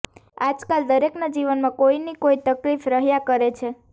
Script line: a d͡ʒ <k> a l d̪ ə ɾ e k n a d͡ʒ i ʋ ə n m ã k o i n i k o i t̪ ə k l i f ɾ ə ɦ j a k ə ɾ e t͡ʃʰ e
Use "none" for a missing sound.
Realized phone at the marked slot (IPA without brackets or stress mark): k